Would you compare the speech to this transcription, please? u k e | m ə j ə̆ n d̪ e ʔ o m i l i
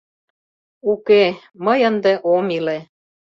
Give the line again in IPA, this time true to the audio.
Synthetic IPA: u k e | m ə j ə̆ n d̪ e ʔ o m i l e